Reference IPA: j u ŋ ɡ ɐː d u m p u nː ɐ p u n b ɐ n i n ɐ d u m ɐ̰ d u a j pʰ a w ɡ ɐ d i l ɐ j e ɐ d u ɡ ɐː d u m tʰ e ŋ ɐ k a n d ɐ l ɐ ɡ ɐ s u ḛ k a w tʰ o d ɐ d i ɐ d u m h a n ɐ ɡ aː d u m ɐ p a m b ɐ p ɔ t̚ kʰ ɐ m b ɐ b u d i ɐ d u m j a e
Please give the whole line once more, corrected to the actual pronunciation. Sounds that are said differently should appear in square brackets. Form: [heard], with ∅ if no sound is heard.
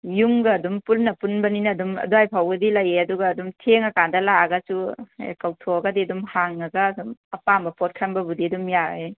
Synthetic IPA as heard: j u ŋ ɡ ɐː d u m p u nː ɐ p u n b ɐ n i n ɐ d u m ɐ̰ d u a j pʰ a w ɡ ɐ d i l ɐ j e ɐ d u ɡ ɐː d u m tʰ e ŋ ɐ k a n d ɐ l [a] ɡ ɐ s u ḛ k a w tʰ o [ɡ] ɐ d i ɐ d u m h a [ŋ] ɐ ɡ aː d u m ɐ p a m b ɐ p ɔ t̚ kʰ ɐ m b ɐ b u d i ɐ d u m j a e